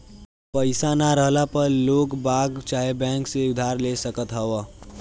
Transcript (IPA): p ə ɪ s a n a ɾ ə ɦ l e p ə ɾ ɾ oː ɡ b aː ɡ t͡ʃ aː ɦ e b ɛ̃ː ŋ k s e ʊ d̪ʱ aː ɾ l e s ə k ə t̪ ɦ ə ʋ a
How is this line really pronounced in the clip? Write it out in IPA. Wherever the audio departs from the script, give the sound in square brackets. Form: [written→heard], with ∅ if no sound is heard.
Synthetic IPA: p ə ɪ s a n a ɾ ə ɦ l [e→a] p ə ɾ [ɾ→l] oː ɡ b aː ɡ t͡ʃ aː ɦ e b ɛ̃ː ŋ k s e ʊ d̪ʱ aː ɾ l e s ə k ə t̪ ɦ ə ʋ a